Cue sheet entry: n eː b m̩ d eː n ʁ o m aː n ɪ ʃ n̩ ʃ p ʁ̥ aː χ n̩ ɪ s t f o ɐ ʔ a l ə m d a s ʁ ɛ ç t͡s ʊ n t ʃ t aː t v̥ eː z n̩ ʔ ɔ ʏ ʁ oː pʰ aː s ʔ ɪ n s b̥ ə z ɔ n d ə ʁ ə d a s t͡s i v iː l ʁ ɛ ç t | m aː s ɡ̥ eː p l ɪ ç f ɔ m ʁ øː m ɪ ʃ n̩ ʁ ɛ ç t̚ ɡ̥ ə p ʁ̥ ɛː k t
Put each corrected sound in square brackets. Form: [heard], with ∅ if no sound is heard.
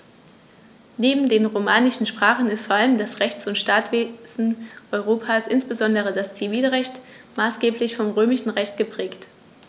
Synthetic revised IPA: n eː b m̩ d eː n ʁ o m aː n ɪ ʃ n̩ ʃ p ʁ̥ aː χ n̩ ɪ s t f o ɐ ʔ a l ə m d a s ʁ ɛ ç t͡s ʊ n t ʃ t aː t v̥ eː z n̩ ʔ ɔ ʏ ʁ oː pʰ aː s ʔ ɪ n s b̥ ə z ɔ n d ə ʁ ə d a s t͡s i v iː l ʁ ɛ ç t | m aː s ɡ̥ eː p l ɪ ç f ɔ m ʁ øː m ɪ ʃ n̩ ʁ ɛ ç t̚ ɡ̥ ə p ʁ̥ ɛː k t